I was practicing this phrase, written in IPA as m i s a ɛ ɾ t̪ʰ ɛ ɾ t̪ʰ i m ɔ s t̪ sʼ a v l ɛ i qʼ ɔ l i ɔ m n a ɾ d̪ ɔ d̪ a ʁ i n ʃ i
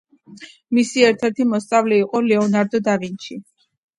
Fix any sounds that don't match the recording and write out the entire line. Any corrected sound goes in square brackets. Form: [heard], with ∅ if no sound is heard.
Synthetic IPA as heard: m i s [i] ɛ ɾ t̪ʰ ɛ ɾ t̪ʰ i m ɔ s t̪ sʼ a v l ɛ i qʼ ɔ l [ɛ] ɔ [∅] n a ɾ d̪ ɔ d̪ a [v] i n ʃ i